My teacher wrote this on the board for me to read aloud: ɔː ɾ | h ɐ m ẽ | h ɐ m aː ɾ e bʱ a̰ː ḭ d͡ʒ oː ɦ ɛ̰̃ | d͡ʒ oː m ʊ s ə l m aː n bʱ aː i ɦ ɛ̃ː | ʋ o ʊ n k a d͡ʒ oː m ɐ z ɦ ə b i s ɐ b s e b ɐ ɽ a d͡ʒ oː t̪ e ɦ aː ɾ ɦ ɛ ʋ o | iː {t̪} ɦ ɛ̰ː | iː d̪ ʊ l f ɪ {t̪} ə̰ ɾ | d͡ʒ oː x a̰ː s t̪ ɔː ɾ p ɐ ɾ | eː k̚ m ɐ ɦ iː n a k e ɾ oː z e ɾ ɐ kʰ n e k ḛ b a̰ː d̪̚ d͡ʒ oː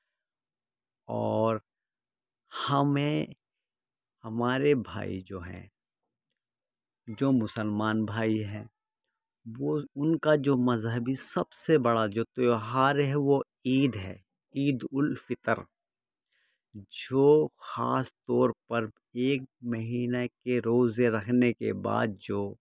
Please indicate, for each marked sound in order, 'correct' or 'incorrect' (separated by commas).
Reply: incorrect, correct